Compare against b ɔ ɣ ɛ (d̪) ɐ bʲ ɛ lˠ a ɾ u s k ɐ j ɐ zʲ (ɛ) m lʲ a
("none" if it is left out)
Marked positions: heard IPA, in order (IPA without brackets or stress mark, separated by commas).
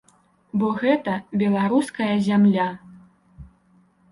t̪, a